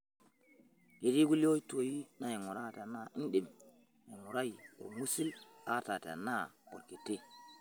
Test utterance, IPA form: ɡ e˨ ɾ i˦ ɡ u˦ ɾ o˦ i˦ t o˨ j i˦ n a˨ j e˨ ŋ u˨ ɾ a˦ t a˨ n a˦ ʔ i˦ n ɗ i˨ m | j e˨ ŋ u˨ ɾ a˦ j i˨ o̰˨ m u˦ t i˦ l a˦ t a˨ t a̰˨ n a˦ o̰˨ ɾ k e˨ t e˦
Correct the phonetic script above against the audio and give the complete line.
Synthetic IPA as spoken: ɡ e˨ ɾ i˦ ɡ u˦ l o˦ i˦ t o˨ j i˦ n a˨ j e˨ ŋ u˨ ɾ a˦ t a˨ n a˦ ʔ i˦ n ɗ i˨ m | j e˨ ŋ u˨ ɾ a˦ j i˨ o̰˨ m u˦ s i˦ l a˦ t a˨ t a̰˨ n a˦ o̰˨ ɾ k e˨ t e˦